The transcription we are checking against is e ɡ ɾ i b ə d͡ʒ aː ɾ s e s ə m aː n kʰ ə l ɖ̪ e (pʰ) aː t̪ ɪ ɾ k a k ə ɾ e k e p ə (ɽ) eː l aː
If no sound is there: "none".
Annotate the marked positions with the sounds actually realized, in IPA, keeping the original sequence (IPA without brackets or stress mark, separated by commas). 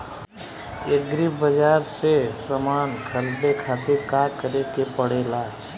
kʰ, ɽ